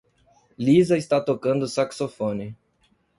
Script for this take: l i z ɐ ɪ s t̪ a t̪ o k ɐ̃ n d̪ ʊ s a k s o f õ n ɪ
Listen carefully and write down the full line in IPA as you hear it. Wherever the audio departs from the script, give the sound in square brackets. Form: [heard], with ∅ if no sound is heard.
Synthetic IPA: l i z ɐ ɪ s t̪ a t̪ o k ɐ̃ n d̪ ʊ s a k s o f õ n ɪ